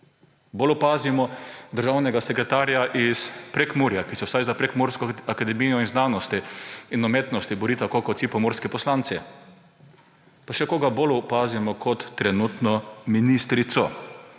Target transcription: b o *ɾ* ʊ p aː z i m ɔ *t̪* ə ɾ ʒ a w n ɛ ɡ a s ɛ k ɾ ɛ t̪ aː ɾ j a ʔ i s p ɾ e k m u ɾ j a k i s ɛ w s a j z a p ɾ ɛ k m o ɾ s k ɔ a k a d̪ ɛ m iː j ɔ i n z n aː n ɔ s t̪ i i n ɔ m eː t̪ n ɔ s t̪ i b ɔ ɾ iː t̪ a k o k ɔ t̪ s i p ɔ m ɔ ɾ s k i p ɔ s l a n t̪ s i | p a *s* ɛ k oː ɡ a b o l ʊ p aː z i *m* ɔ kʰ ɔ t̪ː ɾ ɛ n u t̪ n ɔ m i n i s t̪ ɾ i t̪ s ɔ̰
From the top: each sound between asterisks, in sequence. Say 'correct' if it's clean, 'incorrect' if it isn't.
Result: incorrect: l, incorrect: d̪, incorrect: ʃ, correct

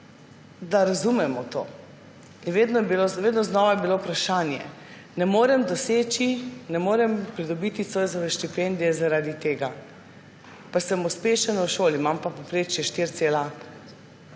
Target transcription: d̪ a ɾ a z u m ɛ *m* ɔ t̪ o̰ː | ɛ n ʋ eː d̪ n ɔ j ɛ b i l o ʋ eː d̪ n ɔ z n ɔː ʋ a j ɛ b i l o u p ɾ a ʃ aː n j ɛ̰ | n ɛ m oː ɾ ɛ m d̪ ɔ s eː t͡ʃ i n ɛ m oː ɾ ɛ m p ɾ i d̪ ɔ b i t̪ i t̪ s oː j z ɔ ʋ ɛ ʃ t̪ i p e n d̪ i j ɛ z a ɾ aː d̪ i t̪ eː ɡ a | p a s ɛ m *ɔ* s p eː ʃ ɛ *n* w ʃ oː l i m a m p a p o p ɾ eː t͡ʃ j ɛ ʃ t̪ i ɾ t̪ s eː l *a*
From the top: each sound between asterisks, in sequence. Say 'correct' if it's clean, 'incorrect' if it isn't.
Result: correct, incorrect: u, correct, correct

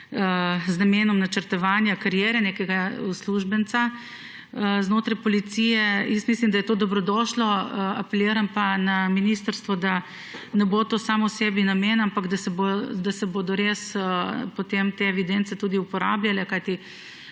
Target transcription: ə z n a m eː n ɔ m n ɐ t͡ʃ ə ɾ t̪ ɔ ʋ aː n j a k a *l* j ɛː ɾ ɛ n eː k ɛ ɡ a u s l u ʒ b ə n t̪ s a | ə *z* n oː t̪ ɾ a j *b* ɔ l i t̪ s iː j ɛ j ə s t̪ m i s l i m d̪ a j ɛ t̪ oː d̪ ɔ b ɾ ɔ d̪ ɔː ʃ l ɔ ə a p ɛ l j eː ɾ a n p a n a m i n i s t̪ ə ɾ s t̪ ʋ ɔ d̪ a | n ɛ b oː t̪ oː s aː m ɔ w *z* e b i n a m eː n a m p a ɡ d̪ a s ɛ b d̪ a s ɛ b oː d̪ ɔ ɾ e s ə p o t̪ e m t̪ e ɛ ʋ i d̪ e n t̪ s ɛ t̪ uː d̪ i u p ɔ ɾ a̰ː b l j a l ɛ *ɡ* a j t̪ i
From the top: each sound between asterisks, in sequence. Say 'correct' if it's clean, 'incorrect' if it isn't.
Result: incorrect: ɾ, correct, incorrect: p, incorrect: s, incorrect: k

